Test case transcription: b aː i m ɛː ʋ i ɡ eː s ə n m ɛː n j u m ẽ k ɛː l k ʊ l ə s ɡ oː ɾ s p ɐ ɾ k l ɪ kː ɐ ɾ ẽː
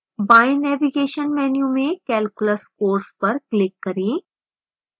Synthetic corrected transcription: b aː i n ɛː ʋ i ɡ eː ʃ ə n m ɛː n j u m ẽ k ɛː l k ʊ l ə s k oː ɾ s p ɐ ɾ k l ɪ kː ɐ ɾ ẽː